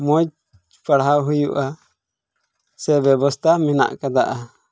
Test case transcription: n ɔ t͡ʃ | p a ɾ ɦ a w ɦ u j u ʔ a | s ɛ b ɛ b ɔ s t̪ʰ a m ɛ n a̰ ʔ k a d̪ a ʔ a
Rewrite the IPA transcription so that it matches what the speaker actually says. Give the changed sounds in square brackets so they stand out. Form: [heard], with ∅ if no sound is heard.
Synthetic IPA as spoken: [m] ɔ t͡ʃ | p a [ɽ] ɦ a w ɦ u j u ʔ a | s ɛ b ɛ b ɔ s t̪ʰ a m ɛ n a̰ ʔ k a d̪ a ʔ a